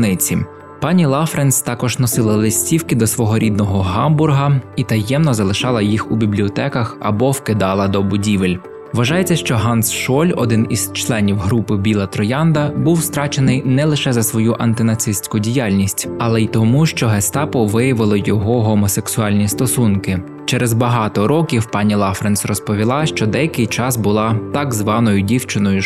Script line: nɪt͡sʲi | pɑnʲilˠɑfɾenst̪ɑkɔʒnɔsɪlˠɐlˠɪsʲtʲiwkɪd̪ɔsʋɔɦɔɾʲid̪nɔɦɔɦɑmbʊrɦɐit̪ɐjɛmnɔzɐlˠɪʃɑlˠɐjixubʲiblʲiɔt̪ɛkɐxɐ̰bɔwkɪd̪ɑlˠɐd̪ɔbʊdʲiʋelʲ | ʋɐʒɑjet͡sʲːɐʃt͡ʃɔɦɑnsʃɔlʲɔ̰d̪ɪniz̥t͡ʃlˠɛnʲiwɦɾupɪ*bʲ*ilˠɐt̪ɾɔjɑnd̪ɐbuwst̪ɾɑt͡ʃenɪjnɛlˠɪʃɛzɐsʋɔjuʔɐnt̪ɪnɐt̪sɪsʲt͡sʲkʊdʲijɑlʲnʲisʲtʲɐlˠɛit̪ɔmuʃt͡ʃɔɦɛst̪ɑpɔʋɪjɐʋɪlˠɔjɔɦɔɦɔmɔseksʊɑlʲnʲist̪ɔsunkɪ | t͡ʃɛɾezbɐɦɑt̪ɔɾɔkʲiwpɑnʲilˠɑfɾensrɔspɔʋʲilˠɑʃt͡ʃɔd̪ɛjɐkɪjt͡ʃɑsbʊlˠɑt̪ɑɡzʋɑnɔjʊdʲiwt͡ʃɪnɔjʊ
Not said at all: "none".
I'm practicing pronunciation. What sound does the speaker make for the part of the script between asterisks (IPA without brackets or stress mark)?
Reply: bʲ